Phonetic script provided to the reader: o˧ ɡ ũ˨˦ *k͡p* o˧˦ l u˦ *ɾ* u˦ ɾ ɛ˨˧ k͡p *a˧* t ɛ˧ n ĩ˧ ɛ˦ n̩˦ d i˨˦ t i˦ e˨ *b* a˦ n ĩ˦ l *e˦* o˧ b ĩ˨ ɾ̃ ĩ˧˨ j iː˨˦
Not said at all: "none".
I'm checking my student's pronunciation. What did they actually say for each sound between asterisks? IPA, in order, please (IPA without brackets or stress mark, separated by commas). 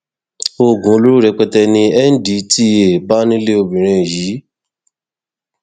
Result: none, ɾ, ɛ˧, b, e˦